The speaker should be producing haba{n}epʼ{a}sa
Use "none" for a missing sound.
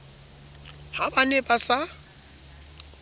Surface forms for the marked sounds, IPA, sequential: n, a

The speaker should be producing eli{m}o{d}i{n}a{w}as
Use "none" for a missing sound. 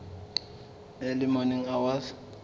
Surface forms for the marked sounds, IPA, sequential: m, n, ŋ, w

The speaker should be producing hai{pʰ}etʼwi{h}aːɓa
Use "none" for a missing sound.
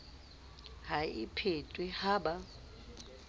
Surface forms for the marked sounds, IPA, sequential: pʰ, h

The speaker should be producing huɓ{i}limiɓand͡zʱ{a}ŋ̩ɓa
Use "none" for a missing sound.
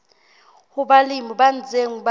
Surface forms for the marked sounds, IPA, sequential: a, e

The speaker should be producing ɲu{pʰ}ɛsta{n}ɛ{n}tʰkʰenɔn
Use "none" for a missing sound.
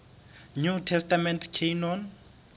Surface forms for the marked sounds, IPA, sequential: tʰ, m, n

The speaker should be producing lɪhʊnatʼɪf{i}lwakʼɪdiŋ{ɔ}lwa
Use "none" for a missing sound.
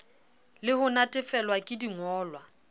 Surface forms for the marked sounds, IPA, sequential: ɛ, ɔː

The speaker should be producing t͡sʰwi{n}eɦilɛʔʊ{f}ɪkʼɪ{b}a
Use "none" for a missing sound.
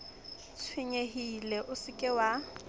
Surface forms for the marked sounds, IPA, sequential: ɲ, s, w

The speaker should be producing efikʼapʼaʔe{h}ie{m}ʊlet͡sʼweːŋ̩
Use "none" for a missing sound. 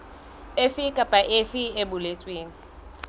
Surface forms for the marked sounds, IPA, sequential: f, b

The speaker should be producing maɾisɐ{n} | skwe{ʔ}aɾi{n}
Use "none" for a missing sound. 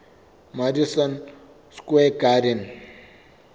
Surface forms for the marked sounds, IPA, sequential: n, k, n

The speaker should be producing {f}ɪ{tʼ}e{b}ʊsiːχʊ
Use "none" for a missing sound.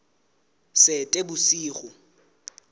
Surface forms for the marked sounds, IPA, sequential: s, tʼ, b

